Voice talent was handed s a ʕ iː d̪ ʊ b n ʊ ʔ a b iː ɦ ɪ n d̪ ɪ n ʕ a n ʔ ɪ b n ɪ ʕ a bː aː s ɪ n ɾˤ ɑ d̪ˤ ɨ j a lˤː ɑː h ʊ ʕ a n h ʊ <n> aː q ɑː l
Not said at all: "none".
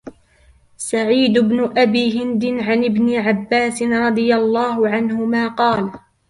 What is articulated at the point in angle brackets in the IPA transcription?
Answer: m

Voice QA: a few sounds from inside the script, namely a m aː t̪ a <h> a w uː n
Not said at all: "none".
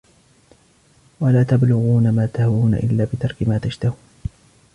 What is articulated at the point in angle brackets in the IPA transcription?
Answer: h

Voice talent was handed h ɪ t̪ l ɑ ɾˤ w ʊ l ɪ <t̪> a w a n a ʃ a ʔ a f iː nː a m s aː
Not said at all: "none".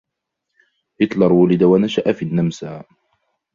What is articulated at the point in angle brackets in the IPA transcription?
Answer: d̪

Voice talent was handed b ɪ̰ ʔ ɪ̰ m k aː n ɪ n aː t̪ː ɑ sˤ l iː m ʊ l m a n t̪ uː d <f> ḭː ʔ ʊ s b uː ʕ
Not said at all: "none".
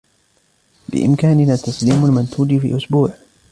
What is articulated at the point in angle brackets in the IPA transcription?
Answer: f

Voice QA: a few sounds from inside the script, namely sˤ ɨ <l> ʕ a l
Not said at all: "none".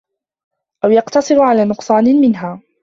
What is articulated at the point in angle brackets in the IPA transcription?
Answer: ɾ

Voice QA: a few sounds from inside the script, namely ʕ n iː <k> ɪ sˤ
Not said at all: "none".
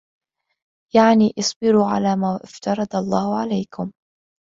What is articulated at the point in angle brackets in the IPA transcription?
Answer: ʔ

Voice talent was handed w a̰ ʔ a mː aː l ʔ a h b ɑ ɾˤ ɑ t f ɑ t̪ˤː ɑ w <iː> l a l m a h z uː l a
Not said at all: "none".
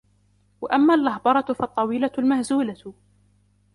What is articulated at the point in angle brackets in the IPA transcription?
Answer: iː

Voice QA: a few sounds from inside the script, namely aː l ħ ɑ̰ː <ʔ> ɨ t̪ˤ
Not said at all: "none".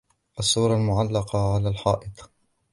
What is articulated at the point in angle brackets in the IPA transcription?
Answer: ʔ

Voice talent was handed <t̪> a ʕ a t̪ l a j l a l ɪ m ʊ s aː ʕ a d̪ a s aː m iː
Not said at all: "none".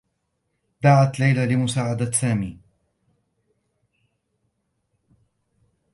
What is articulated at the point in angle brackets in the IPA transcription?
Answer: d̪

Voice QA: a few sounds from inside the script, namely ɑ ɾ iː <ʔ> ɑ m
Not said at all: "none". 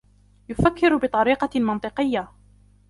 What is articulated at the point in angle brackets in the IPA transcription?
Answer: q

